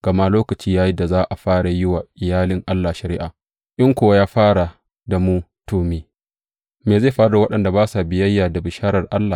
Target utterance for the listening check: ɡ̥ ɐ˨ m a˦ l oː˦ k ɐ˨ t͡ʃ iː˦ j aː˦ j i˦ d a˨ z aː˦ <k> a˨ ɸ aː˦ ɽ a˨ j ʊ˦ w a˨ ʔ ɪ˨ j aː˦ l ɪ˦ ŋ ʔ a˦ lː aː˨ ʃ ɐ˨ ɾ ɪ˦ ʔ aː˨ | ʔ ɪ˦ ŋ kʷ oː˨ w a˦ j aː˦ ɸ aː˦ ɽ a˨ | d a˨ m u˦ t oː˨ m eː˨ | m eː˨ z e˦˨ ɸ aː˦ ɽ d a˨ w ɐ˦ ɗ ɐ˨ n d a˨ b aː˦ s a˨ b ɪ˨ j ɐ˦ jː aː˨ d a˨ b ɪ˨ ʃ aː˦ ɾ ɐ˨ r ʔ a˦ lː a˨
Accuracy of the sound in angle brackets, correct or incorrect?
incorrect